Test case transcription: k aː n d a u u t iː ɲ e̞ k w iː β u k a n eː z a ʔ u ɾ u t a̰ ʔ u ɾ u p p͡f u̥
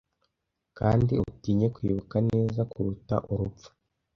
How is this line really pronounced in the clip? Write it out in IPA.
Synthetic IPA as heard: k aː n d i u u t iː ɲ e̞ k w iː β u k a n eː z a k u ɾ u t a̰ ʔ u ɾ u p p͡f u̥